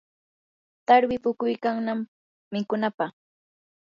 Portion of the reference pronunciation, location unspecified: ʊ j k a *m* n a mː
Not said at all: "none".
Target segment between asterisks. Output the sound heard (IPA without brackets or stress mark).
ŋ